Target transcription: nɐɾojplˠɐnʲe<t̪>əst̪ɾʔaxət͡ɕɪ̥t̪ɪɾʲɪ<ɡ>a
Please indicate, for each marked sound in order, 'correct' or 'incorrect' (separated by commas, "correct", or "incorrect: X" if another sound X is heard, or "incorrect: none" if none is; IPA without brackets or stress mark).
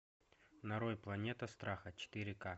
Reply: correct, incorrect: k